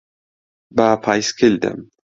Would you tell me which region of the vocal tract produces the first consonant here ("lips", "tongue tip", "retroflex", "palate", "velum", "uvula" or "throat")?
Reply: lips